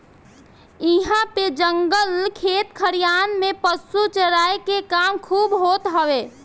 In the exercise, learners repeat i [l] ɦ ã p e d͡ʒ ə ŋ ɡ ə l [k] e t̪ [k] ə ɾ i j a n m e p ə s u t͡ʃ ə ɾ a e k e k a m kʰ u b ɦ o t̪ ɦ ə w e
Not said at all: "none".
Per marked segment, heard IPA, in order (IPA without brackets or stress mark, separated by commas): none, kʰ, kʰ